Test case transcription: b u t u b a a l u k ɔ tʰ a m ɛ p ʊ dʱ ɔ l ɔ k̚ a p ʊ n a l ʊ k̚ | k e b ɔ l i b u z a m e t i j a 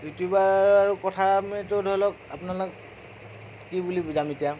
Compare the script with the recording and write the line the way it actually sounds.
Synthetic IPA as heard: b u t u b a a ɹ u k ɔ tʰ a m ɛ t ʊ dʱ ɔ l ɔ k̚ a p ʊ n a l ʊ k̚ | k i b u l i b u z a m e t i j a